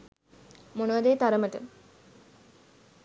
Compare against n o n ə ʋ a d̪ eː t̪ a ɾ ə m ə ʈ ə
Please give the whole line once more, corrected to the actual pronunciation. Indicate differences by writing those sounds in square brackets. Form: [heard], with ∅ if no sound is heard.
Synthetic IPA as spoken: [m] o n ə ʋ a d̪ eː t̪ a ɾ ə m ə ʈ ə